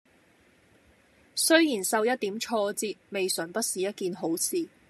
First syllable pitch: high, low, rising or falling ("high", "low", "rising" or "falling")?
high